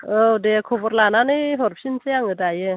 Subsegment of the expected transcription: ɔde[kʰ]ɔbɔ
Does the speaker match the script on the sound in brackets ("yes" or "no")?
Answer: yes